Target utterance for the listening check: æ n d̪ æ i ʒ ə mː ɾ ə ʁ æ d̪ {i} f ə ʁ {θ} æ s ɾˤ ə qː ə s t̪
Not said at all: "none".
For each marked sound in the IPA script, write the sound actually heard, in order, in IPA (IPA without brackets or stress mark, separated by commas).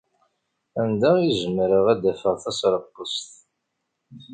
æ, θ